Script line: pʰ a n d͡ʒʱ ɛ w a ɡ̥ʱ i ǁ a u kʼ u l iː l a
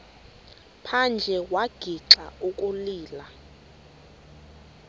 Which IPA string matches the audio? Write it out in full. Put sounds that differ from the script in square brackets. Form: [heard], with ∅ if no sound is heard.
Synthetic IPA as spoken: pʰ a n d͡ʒʱ ɛ w a ɡ̥ʱ i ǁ a u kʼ u l iː l a